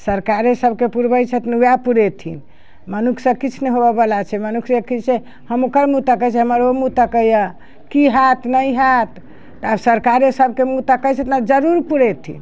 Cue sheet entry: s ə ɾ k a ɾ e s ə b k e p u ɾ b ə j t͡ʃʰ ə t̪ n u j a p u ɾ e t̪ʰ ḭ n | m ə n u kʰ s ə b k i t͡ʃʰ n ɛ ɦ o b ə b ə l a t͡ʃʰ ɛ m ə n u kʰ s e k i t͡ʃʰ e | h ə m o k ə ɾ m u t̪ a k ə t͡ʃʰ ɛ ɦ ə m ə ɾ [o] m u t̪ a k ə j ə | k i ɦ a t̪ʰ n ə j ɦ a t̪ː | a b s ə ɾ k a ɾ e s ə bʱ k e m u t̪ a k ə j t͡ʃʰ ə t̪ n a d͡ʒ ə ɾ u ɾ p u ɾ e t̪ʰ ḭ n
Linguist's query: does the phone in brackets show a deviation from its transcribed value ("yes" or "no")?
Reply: no